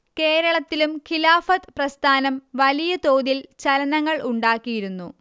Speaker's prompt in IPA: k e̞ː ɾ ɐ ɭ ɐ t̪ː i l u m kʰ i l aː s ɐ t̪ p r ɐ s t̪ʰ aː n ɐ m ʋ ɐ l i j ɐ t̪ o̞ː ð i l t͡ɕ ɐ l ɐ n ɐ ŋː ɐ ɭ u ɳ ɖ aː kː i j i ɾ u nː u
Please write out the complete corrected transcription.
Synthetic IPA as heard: k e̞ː ɾ ɐ ɭ ɐ t̪ː i l u m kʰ i l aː f ɐ t̪ p r ɐ s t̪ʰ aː n ɐ m ʋ ɐ l i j ɐ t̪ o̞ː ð i l t͡ɕ ɐ l ɐ n ɐ ŋː ɐ ɭ u ɳ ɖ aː kː i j i ɾ u nː u